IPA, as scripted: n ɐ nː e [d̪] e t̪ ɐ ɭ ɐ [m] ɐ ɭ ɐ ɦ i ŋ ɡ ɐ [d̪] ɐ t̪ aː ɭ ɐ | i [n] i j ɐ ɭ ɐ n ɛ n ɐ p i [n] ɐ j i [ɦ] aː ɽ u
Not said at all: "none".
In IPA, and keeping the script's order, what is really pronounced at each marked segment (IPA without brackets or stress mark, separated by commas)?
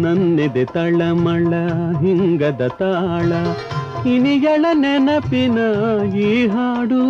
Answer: d̪, m, d̪, n, n, ɦ